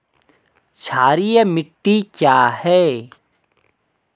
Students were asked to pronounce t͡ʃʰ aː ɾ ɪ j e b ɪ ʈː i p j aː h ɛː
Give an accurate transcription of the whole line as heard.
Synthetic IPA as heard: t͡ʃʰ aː ɾ i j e m ɪ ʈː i k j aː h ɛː